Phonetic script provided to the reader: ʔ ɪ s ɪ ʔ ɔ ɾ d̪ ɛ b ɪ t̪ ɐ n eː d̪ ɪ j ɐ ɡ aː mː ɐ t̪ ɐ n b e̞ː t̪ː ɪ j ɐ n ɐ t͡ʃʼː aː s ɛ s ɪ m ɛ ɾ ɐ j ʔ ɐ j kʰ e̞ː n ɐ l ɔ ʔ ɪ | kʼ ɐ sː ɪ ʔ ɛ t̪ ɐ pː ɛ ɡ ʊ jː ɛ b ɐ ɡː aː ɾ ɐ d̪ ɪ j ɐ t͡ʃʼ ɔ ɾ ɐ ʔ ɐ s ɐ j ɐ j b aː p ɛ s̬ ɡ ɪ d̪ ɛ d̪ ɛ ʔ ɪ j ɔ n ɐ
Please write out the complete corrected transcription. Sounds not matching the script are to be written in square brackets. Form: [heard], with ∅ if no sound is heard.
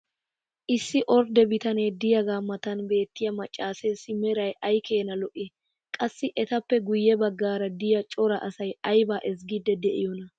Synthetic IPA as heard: ʔ ɪ [sː] ɪ ʔ ɔ ɾ d̪ ɛ b ɪ t̪ ɐ n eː d̪ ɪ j ɐ ɡ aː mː ɐ t̪ ɐ n b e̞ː t̪ː ɪ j ɐ [m] ɐ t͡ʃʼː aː s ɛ s ɪ m ɛ ɾ ɐ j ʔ ɐ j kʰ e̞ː n ɐ l ɔ ʔ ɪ | kʼ ɐ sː ɪ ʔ ɛ t̪ ɐ pː ɛ ɡ ʊ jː ɛ b ɐ ɡː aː ɾ ɐ d̪ ɪ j ɐ t͡ʃʼ ɔ ɾ ɐ ʔ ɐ s ɐ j ɐ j b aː [ʔ] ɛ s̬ ɡ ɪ d̪ ɛ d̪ ɛ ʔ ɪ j ɔ n ɐ

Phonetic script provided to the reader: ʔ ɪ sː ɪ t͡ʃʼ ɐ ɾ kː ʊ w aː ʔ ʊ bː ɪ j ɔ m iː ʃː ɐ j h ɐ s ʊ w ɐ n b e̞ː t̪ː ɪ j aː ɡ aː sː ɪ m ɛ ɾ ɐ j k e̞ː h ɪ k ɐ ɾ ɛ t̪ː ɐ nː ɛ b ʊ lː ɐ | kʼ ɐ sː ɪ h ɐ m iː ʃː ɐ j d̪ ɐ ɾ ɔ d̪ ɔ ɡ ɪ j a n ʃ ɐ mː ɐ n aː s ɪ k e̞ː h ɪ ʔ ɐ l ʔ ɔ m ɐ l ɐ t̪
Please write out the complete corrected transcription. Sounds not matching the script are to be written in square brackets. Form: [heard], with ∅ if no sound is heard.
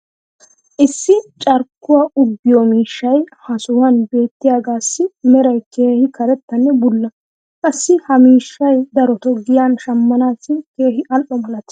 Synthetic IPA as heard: ʔ ɪ sː ɪ t͡ʃʼ ɐ ɾ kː ʊ w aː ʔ ʊ bː ɪ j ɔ m iː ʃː ɐ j h ɐ s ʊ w ɐ n b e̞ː t̪ː ɪ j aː ɡ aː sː ɪ m ɛ ɾ ɐ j k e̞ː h ɪ k ɐ ɾ ɛ t̪ː ɐ nː ɛ b ʊ lː ɐ | kʼ ɐ sː ɪ h ɐ m iː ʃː ɐ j d̪ ɐ ɾ ɔ [t̪] ɔ ɡ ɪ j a n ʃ ɐ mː ɐ n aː s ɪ k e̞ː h ɪ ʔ ɐ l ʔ ɔ m ɐ l ɐ t̪

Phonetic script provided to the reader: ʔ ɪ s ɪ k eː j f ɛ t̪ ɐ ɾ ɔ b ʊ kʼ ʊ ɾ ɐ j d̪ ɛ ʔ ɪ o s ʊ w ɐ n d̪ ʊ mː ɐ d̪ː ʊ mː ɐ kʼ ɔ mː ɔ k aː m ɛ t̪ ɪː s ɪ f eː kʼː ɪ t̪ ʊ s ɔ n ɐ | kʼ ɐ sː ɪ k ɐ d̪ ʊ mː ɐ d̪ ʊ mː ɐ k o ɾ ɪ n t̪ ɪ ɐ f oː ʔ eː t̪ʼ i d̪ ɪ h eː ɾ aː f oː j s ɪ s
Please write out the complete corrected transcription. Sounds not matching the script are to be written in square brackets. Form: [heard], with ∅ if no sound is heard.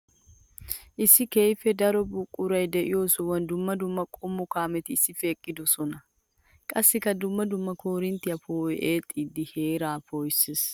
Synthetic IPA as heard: ʔ ɪ s ɪ k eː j f ɛ [d̪] ɐ ɾ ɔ b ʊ kʼ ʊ ɾ ɐ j d̪ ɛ ʔ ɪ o s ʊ w ɐ n d̪ ʊ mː ɐ [d̪] ʊ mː ɐ kʼ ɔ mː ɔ k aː m ɛ t̪ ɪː s ɪ f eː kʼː ɪ [d̪] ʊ s ɔ n ɐ | kʼ ɐ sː ɪ k ɐ d̪ ʊ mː ɐ d̪ ʊ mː ɐ k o ɾ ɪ n t̪ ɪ ɐ f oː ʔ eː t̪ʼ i d̪ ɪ h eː ɾ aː f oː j s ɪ s

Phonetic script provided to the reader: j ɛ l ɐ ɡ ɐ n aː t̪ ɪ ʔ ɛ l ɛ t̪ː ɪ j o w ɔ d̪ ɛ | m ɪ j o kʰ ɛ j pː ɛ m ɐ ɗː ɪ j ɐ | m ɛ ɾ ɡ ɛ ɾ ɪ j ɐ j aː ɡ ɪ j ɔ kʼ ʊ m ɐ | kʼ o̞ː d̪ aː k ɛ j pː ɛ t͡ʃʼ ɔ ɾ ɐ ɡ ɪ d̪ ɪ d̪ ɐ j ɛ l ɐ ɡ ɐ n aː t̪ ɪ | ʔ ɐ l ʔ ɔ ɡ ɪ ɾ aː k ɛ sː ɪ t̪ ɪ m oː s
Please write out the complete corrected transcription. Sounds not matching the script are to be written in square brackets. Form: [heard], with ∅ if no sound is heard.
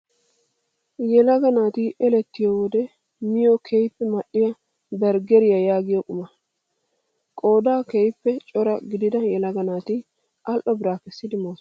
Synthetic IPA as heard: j ɛ l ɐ ɡ ɐ n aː t̪ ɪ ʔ ɛ l ɛ t̪ː ɪ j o w ɔ d̪ ɛ | m ɪ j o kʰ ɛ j pː ɛ m ɐ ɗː ɪ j ɐ | [b] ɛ ɾ ɡ ɛ ɾ ɪ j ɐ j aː ɡ ɪ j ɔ kʼ ʊ m ɐ | kʼ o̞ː d̪ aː k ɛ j pː ɛ t͡ʃʼ ɔ ɾ ɐ ɡ ɪ d̪ ɪ d̪ ɐ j ɛ l ɐ ɡ ɐ n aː t̪ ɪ | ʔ ɐ l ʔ ɔ [b] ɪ ɾ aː k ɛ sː ɪ [d̪] ɪ m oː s

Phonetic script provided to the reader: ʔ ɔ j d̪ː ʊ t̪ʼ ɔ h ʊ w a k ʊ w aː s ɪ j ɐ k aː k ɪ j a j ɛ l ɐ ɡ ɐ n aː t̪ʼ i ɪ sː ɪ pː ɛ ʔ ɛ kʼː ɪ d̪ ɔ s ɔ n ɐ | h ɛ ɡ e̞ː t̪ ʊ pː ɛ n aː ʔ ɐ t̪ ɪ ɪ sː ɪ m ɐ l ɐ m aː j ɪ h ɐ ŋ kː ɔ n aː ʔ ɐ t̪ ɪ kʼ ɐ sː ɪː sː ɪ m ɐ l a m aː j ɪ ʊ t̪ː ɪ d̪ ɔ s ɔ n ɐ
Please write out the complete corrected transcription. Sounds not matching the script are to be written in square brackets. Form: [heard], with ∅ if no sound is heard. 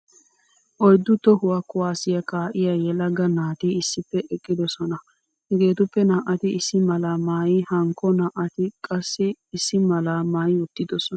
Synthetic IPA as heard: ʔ ɔ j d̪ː ʊ [t̪] ɔ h ʊ w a k ʊ w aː s ɪ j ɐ k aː [ʔ] ɪ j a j ɛ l ɐ ɡ ɐ n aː [t̪] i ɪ sː ɪ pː ɛ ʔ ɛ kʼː ɪ d̪ ɔ s ɔ n ɐ | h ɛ ɡ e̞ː t̪ ʊ pː ɛ n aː ʔ ɐ t̪ ɪ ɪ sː ɪ m ɐ l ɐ m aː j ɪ h ɐ ŋ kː ɔ n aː ʔ ɐ t̪ ɪ kʼ ɐ sː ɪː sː ɪ m ɐ l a m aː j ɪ ʊ t̪ː ɪ d̪ ɔ s ɔ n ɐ

